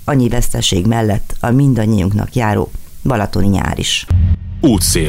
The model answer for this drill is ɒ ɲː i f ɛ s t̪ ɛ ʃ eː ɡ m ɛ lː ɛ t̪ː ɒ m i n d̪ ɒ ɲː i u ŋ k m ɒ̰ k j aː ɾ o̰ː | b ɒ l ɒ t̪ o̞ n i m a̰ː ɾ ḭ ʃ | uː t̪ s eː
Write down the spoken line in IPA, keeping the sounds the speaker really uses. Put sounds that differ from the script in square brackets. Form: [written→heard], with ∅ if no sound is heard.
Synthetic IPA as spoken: ɒ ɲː i [f→v] ɛ s t̪ ɛ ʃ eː ɡ m ɛ lː ɛ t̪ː ɒ m i n d̪ ɒ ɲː i u ŋ k [m→n] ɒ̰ k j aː ɾ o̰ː | b ɒ l ɒ t̪ o̞ n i [m→ɲ] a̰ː ɾ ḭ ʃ | uː t̪ s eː